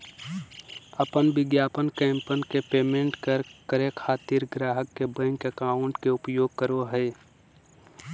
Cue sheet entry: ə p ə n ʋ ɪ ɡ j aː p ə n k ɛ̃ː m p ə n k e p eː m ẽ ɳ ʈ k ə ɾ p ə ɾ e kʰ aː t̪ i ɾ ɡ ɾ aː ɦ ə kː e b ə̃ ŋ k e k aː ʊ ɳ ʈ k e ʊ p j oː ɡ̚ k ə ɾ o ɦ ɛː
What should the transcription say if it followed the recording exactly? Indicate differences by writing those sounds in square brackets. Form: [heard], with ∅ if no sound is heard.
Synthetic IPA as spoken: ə p ə n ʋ ɪ ɡ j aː p ə n k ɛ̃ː m p ə n k e p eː m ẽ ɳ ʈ k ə ɾ [k] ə ɾ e kʰ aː t̪ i ɾ ɡ ɾ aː ɦ ə kː e b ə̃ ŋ k e k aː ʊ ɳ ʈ k e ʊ p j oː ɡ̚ k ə ɾ o ɦ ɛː